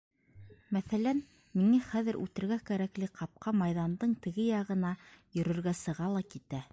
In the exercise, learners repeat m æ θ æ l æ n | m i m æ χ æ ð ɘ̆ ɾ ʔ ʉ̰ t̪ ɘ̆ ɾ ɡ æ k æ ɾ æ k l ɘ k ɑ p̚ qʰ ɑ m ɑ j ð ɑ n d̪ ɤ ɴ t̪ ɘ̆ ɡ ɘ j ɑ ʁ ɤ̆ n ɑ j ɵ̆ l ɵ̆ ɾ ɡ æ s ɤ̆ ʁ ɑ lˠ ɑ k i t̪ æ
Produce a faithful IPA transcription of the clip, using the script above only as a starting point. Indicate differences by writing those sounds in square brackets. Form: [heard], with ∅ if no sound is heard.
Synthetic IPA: m æ θ æ l æ n | m i [ŋ] æ χ æ ð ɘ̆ ɾ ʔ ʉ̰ t̪ ɘ̆ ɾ ɡ æ k æ ɾ æ k l ɘ [q] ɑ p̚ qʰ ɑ m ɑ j ð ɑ n d̪ ɤ ɴ t̪ ɘ̆ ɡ ɘ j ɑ ʁ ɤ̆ n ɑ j ɵ̆ [ɾ] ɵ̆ ɾ ɡ æ s ɤ̆ ʁ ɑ lˠ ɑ k i t̪ æ